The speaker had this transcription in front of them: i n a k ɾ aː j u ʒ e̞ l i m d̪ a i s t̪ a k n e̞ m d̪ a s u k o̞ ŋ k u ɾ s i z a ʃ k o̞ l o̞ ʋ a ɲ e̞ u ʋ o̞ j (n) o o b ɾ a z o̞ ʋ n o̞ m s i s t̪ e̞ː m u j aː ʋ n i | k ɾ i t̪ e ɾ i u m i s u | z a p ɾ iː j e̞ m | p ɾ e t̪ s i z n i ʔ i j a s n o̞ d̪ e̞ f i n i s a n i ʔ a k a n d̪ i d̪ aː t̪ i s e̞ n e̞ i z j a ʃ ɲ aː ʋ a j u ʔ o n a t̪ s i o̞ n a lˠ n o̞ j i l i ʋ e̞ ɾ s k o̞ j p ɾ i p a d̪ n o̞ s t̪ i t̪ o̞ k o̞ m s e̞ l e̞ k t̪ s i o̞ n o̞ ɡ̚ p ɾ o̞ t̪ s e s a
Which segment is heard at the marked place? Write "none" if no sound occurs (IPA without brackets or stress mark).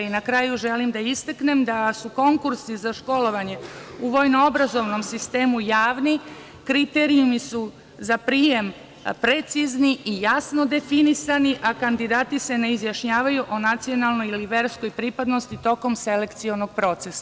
n